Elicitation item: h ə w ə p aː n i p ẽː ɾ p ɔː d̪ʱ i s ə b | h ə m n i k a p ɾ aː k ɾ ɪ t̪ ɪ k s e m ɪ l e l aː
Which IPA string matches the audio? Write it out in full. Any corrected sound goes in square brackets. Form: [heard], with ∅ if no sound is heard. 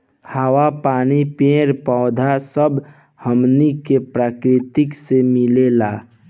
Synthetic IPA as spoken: h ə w [a] p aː n i p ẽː ɾ p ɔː d̪ʱ [a] s ə b | h ə m n i k [e] p ɾ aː k ɾ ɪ t̪ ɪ k s e m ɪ l e l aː